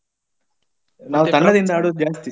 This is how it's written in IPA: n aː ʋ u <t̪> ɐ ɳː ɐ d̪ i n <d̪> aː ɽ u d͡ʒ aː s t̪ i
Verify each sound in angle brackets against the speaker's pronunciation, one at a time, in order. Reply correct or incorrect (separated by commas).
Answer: correct, correct